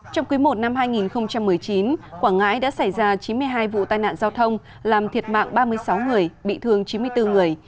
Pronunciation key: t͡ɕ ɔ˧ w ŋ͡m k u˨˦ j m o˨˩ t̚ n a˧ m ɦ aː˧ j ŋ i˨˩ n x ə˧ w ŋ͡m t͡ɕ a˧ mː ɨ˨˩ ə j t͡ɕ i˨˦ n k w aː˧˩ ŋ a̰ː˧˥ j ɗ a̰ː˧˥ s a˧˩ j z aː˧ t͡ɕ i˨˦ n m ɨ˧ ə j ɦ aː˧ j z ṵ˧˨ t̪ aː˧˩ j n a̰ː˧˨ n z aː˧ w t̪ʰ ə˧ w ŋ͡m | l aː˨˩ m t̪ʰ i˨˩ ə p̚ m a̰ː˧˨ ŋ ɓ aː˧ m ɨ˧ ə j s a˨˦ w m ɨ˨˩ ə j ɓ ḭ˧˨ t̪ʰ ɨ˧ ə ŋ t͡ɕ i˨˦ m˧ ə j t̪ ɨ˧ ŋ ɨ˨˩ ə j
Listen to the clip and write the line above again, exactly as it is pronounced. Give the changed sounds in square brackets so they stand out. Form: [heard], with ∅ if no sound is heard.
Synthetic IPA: t͡ɕ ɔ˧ w ŋ͡m k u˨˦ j m o˨˩ t̚ n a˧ m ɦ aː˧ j ŋ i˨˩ n x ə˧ w ŋ͡m t͡ɕ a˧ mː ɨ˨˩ ə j t͡ɕ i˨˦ n k w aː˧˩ ŋ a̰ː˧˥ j ɗ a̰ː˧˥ s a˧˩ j z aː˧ t͡ɕ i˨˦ n m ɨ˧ ə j ɦ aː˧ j [v] ṵ˧˨ t̪ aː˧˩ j n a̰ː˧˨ n z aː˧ w t̪ʰ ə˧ w ŋ͡m | l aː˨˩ m t̪ʰ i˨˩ ə [t̚] m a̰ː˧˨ ŋ ɓ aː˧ m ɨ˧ ə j s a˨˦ w [ŋ] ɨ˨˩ ə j ɓ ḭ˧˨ t̪ʰ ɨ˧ ə ŋ t͡ɕ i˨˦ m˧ ə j t̪ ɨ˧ ŋ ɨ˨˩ ə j